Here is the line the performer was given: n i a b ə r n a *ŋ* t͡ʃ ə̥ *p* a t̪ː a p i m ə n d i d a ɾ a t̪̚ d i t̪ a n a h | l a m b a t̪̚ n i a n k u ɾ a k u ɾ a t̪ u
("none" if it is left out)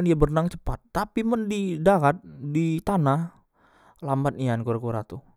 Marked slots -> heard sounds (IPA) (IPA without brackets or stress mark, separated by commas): ŋ, p